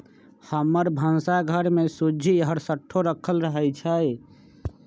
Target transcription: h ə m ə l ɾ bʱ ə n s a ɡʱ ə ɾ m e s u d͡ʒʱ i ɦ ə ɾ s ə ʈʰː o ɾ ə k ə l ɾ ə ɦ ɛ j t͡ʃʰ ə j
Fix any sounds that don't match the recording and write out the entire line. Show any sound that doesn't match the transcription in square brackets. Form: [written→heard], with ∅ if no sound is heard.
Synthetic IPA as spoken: h ə m ə [l→∅] ɾ bʱ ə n s a ɡʱ ə ɾ m e s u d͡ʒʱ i ɦ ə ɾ s ə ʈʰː o ɾ ə [k→kʰ] ə l ɾ ə ɦ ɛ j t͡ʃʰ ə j